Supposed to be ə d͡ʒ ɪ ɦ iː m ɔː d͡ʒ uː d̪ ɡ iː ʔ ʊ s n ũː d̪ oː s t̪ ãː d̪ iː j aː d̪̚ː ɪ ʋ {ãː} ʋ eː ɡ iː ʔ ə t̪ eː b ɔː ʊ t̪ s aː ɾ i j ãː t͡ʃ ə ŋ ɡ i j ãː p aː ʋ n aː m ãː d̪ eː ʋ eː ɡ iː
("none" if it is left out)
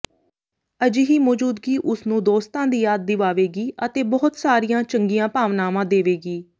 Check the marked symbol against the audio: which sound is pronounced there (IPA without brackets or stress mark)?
aː